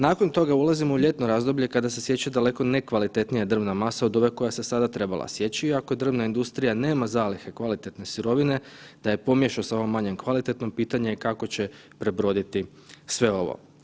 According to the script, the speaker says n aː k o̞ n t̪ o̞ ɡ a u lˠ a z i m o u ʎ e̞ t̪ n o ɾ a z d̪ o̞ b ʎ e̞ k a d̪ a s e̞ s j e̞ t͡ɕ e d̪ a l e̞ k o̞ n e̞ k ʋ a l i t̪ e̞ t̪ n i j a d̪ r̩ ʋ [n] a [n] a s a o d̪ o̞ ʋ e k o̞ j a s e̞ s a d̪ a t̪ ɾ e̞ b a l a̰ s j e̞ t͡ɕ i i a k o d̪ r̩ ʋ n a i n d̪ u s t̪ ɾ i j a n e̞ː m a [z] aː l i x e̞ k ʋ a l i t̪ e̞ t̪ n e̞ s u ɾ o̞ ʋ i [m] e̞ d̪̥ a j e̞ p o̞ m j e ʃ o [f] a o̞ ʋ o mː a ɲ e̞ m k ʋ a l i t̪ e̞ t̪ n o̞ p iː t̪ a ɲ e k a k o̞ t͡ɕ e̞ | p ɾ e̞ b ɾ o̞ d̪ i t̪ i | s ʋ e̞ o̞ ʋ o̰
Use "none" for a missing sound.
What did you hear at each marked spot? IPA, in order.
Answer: n, m, z, n, s

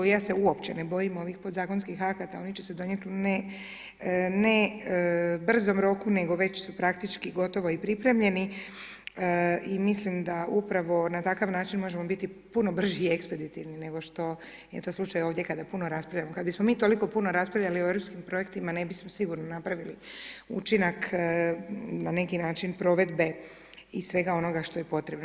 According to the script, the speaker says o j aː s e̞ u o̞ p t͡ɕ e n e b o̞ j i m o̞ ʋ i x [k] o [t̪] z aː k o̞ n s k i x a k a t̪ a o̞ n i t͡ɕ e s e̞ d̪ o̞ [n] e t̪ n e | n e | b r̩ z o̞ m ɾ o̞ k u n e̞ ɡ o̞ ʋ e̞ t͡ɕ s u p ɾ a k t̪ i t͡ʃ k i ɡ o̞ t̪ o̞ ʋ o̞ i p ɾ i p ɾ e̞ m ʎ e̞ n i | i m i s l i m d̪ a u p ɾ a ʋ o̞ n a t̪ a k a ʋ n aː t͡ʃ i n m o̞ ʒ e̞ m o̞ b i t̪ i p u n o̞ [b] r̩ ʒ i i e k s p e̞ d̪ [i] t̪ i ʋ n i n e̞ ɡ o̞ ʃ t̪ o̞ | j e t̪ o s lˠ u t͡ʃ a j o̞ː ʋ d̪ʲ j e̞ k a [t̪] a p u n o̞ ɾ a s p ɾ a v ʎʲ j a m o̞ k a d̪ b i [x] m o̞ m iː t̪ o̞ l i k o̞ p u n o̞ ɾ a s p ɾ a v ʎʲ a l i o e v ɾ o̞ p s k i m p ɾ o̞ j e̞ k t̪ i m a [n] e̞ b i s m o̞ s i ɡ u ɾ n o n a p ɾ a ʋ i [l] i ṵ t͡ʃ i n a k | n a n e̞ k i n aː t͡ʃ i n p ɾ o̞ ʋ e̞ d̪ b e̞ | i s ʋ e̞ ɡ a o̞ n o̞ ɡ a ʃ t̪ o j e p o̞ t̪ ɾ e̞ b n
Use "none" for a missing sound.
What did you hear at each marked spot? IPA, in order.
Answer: p, d̪, ɲ, b, i, d̪, s, n, l

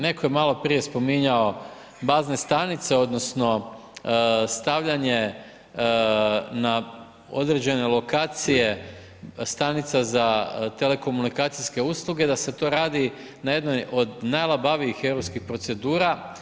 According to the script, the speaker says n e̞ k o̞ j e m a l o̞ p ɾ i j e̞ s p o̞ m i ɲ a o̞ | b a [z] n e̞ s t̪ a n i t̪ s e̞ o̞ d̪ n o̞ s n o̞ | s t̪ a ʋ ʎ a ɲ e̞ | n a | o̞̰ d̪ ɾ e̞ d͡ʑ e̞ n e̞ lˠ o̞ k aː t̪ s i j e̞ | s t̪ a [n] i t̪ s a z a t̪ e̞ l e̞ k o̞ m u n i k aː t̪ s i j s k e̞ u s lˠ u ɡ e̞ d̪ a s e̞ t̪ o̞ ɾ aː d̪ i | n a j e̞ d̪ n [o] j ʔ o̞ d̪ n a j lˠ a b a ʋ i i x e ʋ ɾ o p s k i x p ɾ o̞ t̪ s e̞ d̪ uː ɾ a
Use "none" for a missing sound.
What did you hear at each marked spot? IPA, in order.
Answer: z, n, o

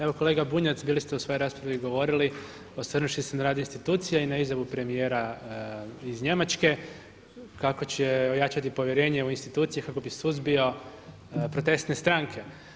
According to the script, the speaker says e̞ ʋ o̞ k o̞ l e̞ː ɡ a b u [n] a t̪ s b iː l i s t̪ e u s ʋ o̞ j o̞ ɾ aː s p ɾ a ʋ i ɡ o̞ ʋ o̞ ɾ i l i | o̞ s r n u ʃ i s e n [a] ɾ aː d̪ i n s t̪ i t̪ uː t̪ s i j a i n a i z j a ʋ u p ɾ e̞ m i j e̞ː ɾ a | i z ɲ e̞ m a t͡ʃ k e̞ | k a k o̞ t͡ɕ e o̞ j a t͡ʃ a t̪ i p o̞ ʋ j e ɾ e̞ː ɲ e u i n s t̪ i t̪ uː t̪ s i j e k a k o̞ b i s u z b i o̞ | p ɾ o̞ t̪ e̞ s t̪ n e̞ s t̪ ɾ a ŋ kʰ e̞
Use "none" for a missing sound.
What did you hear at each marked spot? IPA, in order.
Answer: ɲ, a

